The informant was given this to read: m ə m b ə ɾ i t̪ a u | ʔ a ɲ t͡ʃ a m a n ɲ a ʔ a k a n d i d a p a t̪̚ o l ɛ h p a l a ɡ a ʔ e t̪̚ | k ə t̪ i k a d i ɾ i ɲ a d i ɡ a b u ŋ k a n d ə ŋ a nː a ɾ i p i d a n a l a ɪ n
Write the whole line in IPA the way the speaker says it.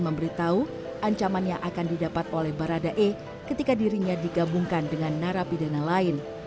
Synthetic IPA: m ə m b ə ɾ i t̪ a u | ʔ a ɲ t͡ʃ a m a n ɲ a ʔ a k a n d i d a p a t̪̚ o l ɛ h b a ɾ a d a ʔ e | k ə t̪ i k a d i ɾ i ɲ a d i ɡ a b u ŋ k a n d ə ŋ a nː a ɾ a p i d a n a l a ɪ n